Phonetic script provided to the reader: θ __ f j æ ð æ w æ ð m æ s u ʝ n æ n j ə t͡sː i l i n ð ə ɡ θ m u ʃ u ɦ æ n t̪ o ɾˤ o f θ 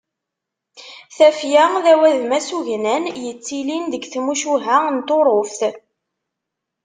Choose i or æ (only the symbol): æ